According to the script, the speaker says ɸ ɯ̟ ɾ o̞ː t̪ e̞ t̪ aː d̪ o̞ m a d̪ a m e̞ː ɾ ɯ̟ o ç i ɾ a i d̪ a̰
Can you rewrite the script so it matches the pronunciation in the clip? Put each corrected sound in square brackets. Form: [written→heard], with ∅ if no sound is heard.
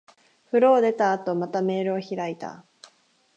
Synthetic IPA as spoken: ɸ ɯ̟ ɾ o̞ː [t̪→d̪] e̞ t̪ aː [d̪→t̪] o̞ m a [d̪→t̪] a m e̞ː ɾ ɯ̟ o ç i ɾ a i [d̪→t̪] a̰